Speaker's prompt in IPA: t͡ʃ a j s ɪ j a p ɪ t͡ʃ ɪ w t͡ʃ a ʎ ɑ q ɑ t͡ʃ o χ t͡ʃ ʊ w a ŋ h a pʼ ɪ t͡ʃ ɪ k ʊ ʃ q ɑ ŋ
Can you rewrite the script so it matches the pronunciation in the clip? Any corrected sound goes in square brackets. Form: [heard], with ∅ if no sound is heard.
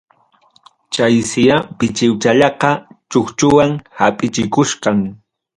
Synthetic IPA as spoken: t͡ʃ a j s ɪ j a p ɪ t͡ʃ ɪ w t͡ʃ a ʎ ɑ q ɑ t͡ʃ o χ t͡ʃ ʊ w a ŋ h a pʼ ɪ t͡ʃ ɪ k ʊ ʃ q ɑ ŋ